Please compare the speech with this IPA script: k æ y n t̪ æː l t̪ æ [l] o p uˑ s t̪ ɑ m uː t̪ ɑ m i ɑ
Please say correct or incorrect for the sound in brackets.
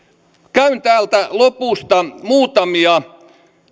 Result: correct